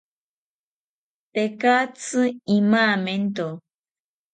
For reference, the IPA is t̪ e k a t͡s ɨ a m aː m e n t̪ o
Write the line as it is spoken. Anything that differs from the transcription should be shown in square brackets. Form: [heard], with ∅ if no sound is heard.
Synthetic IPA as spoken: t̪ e k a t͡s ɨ [i] m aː m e n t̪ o